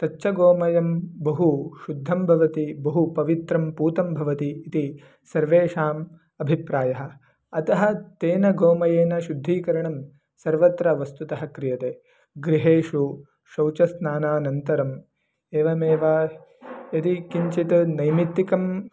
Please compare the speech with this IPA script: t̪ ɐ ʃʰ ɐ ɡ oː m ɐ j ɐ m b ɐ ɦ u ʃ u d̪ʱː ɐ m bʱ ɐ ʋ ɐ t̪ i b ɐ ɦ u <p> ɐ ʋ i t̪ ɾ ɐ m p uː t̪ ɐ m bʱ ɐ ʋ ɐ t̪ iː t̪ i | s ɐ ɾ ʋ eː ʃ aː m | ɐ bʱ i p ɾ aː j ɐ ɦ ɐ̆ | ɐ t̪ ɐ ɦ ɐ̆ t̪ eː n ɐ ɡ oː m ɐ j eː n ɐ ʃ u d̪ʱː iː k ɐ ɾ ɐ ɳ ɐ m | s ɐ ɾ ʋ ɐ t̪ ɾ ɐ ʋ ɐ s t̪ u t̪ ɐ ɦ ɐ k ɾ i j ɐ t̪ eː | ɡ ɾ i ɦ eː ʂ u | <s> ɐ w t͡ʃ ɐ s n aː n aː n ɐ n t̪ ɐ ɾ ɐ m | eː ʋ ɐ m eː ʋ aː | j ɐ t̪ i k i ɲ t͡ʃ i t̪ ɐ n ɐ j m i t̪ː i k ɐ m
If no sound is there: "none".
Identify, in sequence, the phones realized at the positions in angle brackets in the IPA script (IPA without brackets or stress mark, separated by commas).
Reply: p, ʃ